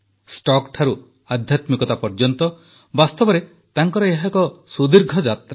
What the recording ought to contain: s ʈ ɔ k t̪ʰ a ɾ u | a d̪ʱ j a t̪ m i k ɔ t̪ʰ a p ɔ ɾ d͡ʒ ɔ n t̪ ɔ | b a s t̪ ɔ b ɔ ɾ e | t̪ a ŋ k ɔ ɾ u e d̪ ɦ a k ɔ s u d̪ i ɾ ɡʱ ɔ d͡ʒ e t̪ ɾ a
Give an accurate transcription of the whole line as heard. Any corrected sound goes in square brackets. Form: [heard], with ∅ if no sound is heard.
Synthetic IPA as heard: s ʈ ɔ k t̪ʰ a ɾ u | a d̪ʱ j a t̪ m i k ɔ [t̪] a p ɔ ɾ d͡ʒ ɔ n t̪ ɔ | b a s t̪ ɔ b ɔ ɾ e | t̪ a ŋ k ɔ ɾ [ɔ] e [∅] ɦ a k ɔ s u d̪ i ɾ ɡʱ ɔ d͡ʒ [a] t̪ ɾ a

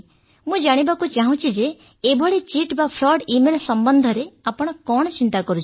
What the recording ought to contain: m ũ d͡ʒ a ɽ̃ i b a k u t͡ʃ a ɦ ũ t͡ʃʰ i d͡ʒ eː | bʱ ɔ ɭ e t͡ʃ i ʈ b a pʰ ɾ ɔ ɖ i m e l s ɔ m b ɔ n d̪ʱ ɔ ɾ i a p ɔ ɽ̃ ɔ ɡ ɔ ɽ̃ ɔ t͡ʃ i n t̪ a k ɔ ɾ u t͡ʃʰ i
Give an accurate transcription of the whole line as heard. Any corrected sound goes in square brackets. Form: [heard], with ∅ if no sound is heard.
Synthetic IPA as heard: m ũ d͡ʒ a ɽ̃ i b a k u t͡ʃ a ɦ ũ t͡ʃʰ i d͡ʒ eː | bʱ ɔ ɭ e t͡ʃ i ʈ b a pʰ ɾ ɔ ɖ i m e l s ɔ m b ɔ n d̪ʱ ɔ ɾ [e] a p ɔ ɽ̃ ɔ [k] ɔ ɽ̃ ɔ t͡ʃ i n t̪ a k ɔ ɾ u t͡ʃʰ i

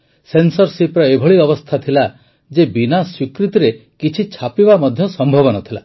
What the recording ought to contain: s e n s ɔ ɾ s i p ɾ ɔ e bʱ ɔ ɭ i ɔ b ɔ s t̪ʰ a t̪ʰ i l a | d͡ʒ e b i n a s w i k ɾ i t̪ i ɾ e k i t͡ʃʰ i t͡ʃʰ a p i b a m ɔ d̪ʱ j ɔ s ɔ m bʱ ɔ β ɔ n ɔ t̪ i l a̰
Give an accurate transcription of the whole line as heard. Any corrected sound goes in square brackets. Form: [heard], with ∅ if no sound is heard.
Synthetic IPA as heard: s e n s ɔ ɾ s i p ɾ ɔ e bʱ ɔ ɭ i ɔ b ɔ s t̪ʰ a t̪ʰ i l a | d͡ʒ e b i n a s w i k ɾ i t̪ i ɾ e k i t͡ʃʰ i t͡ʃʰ a p i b a m ɔ d̪ʱ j ɔ s ɔ m bʱ ɔ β ɔ n ɔ [t̪ʰ] i l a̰

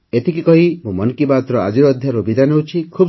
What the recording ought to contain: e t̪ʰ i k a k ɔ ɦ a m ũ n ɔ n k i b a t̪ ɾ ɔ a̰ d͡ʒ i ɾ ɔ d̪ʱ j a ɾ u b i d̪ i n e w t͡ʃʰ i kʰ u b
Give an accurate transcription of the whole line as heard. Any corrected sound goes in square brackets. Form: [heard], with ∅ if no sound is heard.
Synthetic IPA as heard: e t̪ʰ i k [i] k ɔ ɦ [i] m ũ [m] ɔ n k i b a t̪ ɾ ɔ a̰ d͡ʒ i ɾ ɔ d̪ʱ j a ɾ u b i d̪ [a] n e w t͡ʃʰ i kʰ u b

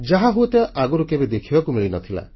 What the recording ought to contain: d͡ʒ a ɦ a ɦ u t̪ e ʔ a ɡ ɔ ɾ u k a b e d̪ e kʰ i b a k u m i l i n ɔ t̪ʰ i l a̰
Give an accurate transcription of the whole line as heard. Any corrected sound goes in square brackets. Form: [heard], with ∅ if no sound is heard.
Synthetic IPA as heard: d͡ʒ a ɦ a ɦ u t̪ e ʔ a ɡ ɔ ɾ u k [e] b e d̪ e kʰ i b a k u m i [ɭ] i n ɔ t̪ʰ i l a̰

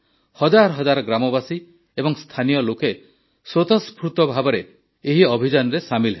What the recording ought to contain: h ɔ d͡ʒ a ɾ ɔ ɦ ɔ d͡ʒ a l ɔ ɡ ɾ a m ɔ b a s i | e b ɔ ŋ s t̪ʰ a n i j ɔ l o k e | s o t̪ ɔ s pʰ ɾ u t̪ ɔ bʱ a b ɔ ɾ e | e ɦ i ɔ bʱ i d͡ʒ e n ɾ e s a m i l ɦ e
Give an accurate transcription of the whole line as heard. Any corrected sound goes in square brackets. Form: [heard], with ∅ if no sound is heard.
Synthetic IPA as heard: h ɔ d͡ʒ a ɾ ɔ ɦ ɔ d͡ʒ a [ɾ] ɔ ɡ ɾ a m ɔ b a s i | e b ɔ ŋ s t̪ʰ a n i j ɔ l o k e | s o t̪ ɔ s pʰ ɾ u t̪ ɔ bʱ a b ɔ ɾ e | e ɦ i ɔ bʱ i d͡ʒ [a] n ɾ e s a m i l ɦ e

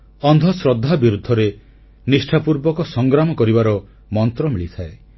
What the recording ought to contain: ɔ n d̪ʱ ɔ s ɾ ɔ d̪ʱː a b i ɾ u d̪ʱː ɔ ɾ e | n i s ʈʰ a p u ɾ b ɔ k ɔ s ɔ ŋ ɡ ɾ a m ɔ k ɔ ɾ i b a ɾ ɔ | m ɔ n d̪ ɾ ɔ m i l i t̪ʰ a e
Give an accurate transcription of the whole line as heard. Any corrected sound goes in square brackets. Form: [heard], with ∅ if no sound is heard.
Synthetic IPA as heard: ɔ n d̪ʱ ɔ s ɾ ɔ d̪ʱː a b i ɾ u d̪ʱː ɔ ɾ e | n i s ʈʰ a p u ɾ b ɔ k ɔ s ɔ ŋ ɡ ɾ a m ɔ k ɔ ɾ i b a ɾ ɔ | m ɔ n [t̪] ɾ ɔ m i [ɭ] i t̪ʰ a e

